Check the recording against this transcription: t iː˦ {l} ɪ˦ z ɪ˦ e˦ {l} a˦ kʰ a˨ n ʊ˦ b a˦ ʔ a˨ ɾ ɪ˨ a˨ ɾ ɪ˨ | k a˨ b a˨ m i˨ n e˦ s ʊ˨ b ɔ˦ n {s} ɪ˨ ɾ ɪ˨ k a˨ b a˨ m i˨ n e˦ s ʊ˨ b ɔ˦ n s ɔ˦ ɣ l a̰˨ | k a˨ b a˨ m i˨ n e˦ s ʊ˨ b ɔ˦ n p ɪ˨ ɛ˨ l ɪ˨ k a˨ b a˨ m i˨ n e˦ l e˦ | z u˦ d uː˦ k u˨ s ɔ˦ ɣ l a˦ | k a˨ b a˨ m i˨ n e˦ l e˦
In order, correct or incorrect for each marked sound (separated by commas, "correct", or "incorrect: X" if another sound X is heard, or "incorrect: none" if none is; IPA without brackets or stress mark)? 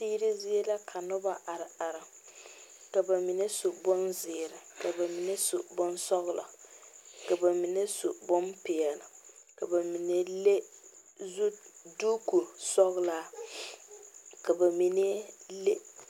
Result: incorrect: ɾ, correct, incorrect: z